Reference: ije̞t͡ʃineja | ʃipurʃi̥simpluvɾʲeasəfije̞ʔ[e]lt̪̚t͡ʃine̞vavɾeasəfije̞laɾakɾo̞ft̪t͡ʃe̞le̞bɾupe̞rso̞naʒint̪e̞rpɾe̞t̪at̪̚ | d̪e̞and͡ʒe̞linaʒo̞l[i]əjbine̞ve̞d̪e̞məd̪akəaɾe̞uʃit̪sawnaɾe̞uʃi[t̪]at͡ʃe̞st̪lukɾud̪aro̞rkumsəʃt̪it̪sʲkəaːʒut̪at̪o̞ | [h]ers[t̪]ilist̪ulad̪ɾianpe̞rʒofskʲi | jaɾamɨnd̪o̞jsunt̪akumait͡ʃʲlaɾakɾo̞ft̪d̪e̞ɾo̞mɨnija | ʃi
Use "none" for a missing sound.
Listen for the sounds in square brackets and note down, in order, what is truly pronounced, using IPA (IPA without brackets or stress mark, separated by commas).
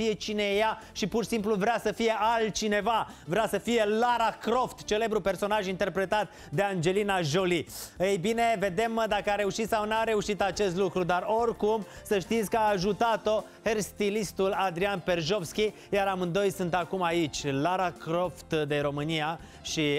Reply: a, i, t̪, h, t̪